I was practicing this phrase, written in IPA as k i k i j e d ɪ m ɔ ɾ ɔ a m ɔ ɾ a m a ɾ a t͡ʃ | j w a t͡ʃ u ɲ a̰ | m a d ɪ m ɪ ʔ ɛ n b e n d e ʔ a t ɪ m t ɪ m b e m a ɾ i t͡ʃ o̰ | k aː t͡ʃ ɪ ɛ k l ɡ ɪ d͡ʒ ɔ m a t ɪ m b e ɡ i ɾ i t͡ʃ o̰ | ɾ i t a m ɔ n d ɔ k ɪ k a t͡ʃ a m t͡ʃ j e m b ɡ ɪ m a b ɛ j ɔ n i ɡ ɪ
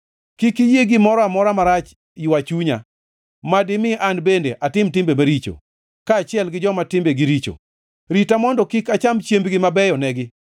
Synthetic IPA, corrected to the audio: k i k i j e ɡ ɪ m ɔ ɾ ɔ a m ɔ ɾ a m a ɾ a t͡ʃ | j w a t͡ʃ u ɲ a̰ | m a d ɪ m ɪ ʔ a n b e n d e ʔ a t ɪ m t ɪ m b e m a ɾ i t͡ʃ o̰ | k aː t͡ʃ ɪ ɛ l ɡ ɪ d͡ʒ ɔ m a t ɪ m b e ɡ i ɾ i t͡ʃ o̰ | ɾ i t a m ɔ n d ɔ k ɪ k a t͡ʃ a m t͡ʃ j e m b ɡ ɪ m a b ɛ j ɔ n ɛ ɡ ɪ